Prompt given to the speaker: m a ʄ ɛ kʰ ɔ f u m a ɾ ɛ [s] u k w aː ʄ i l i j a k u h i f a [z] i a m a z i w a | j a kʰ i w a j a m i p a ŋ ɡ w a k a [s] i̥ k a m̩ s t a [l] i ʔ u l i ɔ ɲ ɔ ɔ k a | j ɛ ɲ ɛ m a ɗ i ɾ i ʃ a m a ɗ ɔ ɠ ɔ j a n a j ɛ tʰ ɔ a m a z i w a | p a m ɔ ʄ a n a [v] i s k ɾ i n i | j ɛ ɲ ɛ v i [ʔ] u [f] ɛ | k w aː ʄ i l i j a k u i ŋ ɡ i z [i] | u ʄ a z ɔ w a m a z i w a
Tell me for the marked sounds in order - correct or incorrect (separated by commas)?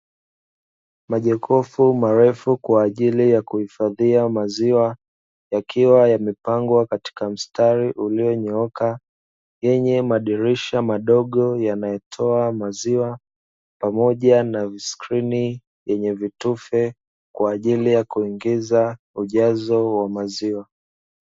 incorrect, incorrect, incorrect, incorrect, correct, incorrect, correct, incorrect